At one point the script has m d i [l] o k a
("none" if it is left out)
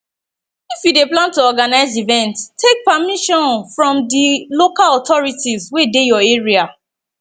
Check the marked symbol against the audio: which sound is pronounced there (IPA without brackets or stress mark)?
l